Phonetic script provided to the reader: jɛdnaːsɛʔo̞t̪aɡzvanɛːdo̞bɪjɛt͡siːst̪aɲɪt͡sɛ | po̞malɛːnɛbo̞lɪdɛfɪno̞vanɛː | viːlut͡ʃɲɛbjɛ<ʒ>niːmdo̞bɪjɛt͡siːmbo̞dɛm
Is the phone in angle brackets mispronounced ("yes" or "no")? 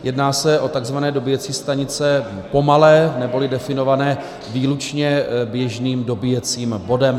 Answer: no